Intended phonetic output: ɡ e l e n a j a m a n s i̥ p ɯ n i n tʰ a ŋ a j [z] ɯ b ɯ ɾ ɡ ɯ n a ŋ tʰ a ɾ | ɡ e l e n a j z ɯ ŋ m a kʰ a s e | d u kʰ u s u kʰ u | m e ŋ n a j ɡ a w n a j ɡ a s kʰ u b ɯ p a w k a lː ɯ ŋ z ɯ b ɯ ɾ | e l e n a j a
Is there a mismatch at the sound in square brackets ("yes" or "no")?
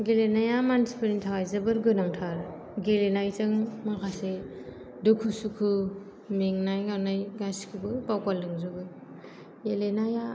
no